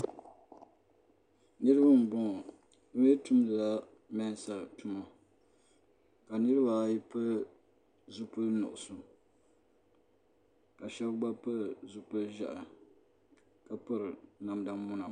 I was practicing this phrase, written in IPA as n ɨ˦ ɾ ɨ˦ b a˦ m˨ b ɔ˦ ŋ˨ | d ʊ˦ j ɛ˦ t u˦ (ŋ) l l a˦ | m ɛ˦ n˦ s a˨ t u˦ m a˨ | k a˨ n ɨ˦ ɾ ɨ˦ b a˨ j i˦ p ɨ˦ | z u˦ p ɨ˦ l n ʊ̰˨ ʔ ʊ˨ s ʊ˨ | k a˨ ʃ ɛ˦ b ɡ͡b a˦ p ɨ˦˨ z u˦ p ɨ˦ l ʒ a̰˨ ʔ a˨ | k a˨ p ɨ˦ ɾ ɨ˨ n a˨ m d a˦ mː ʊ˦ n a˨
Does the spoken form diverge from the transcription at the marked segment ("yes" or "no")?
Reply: yes